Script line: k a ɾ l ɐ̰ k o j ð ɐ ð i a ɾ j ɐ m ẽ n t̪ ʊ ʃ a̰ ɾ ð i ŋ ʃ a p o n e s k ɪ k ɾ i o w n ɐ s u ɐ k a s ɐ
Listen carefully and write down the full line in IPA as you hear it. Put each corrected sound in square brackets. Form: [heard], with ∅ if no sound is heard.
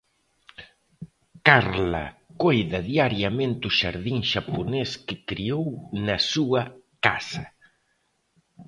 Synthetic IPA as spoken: k a ɾ l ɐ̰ k o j ð ɐ ð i a ɾ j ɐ m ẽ n t̪ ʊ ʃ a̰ ɾ ð i ŋ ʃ a p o n e s k ɪ k ɾ i o w n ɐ s u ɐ k a s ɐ